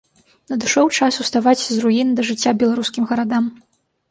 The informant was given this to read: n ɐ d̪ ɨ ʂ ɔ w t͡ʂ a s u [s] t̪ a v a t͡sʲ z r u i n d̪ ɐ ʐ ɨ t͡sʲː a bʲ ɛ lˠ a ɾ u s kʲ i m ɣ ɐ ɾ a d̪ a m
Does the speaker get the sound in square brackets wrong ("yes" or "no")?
no